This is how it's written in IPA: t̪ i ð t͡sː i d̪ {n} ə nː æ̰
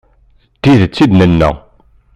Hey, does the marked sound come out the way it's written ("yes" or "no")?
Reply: yes